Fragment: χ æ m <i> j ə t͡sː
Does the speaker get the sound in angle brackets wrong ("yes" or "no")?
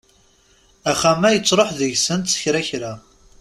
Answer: yes